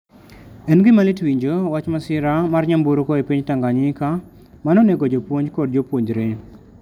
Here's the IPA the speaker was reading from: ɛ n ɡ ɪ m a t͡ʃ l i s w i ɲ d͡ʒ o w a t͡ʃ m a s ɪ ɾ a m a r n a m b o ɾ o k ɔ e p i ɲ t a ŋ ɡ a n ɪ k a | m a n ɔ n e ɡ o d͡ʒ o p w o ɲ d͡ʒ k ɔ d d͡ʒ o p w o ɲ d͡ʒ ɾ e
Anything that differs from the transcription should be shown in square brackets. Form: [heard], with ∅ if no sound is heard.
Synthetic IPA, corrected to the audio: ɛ n ɡ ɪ m a [∅] l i [t] w i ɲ d͡ʒ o w a t͡ʃ m a s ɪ ɾ a m a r [ɲ] a m b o ɾ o k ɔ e p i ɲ t a ŋ ɡ a [ɲ] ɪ k a | m a n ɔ n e ɡ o d͡ʒ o p w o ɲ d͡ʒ k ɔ d d͡ʒ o p w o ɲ d͡ʒ ɾ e